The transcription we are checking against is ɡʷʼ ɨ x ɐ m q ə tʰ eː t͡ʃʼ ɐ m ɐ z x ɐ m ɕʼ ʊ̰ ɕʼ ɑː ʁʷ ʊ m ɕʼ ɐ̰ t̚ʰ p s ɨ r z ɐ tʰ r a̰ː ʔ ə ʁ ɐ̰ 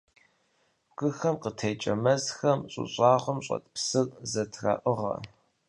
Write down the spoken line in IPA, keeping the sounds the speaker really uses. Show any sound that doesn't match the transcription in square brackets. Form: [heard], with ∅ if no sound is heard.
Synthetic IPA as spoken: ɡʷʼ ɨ x ɐ m q ə tʰ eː t͡ʃʼ ɐ m ɐ z x ɐ m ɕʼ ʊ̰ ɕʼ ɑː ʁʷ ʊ m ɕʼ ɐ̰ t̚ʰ p s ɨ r z ɐ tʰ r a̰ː ʔ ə ʁ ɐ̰

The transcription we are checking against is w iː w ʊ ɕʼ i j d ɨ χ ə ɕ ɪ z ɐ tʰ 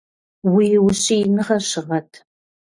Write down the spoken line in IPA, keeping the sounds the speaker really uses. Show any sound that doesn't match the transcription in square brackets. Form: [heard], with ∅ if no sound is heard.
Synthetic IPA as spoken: w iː w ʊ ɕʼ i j [n] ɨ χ [ɐ] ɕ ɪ [ʁ] ɐ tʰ

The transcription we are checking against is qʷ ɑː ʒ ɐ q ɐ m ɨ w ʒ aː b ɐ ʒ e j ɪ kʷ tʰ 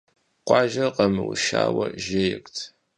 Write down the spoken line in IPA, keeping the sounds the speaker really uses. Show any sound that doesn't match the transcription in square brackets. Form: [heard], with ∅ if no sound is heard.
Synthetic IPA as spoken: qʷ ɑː ʒ ɐ q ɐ m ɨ w [ʃ] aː [w] ɐ ʒ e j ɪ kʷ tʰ

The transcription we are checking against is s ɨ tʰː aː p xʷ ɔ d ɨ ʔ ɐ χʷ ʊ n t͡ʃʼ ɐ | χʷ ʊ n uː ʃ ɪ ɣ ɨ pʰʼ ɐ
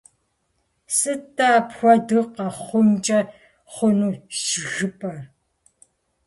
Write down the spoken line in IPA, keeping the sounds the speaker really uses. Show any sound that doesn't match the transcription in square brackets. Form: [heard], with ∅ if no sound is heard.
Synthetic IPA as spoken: s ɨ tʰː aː p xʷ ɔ d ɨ [q] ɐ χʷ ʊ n t͡ʃʼ ɐ | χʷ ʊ n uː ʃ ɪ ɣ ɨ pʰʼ ɐ

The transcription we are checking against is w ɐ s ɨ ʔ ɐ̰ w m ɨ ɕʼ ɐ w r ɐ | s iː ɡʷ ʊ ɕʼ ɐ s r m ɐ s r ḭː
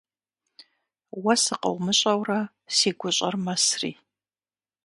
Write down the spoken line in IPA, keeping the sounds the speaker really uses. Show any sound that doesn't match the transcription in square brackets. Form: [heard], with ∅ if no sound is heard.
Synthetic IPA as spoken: w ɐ s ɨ [q] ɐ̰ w m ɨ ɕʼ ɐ w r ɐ | s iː ɡʷ ʊ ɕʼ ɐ [∅] r m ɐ s r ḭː

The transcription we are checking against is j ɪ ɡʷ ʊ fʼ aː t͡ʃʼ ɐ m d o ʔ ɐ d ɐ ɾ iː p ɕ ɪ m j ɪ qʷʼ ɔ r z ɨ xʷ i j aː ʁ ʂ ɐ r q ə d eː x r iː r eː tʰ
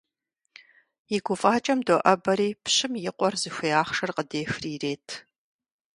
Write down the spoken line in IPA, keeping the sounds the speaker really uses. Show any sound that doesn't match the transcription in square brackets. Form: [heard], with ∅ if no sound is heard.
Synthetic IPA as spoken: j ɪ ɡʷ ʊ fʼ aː t͡ʃʼ ɐ m d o ʔ ɐ [b] ɐ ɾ iː p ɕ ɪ m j ɪ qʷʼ ɔ r z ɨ xʷ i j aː [χ] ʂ ɐ r q ə d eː x r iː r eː tʰ

